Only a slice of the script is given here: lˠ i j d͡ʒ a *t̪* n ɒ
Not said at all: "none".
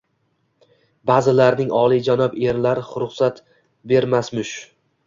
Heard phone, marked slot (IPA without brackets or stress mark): none